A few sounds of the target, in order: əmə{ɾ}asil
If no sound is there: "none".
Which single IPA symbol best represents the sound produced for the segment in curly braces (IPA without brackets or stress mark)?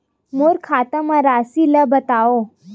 ɾ